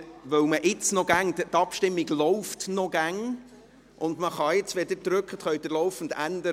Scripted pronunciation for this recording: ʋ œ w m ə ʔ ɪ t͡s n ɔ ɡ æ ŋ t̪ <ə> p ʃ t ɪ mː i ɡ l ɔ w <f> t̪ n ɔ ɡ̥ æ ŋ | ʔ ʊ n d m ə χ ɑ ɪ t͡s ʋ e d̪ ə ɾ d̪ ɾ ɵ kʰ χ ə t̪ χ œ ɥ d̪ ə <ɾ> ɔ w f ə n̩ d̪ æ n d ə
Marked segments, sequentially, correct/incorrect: incorrect, correct, incorrect

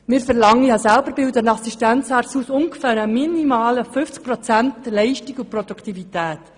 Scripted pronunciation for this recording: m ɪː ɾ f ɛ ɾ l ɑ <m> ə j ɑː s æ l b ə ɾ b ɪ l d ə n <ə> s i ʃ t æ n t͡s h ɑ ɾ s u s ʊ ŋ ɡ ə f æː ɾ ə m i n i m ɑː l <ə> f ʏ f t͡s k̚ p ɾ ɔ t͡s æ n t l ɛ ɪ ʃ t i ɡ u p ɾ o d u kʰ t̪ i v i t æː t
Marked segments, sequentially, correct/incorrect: incorrect, incorrect, correct

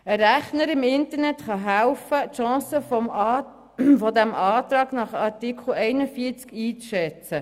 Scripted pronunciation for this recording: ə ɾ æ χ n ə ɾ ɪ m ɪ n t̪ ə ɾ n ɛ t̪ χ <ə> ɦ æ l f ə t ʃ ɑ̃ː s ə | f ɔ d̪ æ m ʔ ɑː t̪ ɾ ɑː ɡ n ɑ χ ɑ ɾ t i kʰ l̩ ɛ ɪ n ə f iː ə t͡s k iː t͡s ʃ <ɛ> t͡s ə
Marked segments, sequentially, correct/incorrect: incorrect, correct

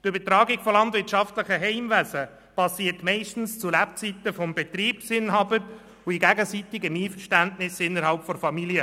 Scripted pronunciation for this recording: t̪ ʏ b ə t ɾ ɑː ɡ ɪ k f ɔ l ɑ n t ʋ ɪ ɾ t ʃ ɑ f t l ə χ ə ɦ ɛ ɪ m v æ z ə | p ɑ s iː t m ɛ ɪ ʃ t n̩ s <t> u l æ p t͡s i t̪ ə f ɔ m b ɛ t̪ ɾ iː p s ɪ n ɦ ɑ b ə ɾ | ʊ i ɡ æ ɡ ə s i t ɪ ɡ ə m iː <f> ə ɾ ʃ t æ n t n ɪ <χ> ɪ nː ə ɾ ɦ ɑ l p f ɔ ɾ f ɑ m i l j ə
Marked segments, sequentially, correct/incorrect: incorrect, correct, incorrect

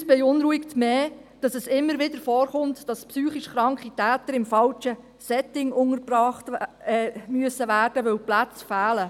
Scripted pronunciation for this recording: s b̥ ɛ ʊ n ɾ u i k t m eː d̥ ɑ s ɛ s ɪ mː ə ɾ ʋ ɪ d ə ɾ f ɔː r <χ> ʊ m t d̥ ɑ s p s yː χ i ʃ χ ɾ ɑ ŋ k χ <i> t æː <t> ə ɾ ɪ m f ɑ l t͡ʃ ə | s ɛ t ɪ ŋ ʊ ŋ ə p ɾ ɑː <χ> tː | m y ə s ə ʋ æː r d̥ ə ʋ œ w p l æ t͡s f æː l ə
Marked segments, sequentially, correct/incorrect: correct, correct, correct, correct

